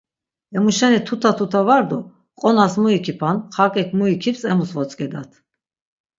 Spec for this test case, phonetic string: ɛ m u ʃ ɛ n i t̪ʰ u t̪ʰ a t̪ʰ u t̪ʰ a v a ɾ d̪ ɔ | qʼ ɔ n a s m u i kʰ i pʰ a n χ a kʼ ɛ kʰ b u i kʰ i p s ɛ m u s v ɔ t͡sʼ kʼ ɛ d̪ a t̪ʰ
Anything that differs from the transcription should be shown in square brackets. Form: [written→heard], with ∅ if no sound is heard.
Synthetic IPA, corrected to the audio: ɛ m u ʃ ɛ n i t̪ʰ u t̪ʰ a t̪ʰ u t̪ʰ a v a ɾ d̪ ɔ | qʼ ɔ n a s m u i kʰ i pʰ a n χ a kʼ ɛ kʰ [b→m] u i kʰ i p s ɛ m u s v ɔ t͡sʼ kʼ ɛ d̪ a t̪ʰ